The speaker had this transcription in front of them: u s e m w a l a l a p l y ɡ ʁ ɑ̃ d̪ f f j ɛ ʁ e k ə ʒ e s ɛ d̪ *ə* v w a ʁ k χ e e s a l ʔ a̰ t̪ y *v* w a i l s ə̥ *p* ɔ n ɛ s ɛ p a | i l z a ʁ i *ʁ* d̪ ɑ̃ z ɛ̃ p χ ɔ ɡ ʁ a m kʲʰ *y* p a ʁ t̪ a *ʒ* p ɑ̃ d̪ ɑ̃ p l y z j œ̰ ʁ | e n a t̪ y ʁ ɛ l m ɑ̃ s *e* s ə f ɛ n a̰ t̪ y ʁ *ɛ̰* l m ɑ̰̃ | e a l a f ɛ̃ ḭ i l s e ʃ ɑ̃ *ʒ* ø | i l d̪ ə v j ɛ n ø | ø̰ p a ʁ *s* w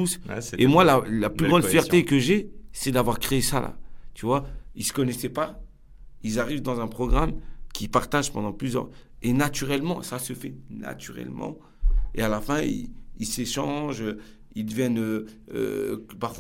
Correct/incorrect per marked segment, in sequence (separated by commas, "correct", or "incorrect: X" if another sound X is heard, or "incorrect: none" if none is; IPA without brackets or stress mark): incorrect: a, correct, incorrect: k, incorrect: v, incorrect: i, correct, incorrect: a, correct, correct, incorrect: f